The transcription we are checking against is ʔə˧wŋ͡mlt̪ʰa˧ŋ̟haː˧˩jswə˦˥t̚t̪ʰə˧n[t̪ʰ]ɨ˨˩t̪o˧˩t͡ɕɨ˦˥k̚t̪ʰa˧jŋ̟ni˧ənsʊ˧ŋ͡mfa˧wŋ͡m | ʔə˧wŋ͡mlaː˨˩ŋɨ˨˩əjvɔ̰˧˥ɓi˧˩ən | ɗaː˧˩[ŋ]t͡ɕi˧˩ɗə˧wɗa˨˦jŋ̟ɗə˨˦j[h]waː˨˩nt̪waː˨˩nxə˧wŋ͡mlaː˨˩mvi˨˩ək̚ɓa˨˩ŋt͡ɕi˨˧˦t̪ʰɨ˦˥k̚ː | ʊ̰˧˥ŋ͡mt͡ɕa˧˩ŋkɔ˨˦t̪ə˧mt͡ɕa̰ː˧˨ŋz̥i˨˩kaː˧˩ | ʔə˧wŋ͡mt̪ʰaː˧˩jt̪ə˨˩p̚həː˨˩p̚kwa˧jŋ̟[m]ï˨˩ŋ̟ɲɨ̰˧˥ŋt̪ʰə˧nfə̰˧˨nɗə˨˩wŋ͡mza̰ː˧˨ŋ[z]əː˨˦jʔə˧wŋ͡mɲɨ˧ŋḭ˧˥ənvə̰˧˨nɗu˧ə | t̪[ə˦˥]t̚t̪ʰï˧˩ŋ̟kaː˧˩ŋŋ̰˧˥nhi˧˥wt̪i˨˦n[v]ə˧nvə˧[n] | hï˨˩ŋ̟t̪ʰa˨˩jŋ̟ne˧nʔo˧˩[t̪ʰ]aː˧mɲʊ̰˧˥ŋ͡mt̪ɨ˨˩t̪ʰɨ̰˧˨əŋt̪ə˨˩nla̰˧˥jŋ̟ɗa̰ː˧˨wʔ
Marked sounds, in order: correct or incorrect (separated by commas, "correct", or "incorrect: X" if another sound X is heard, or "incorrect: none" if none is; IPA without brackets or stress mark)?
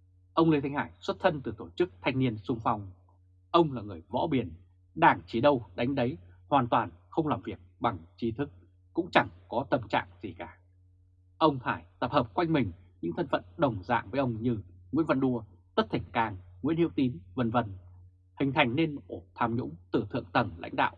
incorrect: t̪, correct, correct, correct, incorrect: v, correct, correct, correct, correct